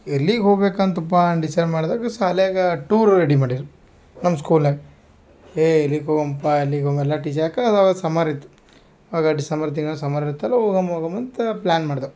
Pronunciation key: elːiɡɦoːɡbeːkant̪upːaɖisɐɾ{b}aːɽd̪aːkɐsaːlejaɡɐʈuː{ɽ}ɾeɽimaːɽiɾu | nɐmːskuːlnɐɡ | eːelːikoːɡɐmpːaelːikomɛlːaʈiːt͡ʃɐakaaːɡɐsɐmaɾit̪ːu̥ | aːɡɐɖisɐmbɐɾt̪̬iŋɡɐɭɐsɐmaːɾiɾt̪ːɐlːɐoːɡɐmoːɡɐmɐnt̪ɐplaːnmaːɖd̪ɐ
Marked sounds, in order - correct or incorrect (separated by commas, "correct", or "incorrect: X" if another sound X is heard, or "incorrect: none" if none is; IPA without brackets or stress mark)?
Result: incorrect: m, incorrect: ɾ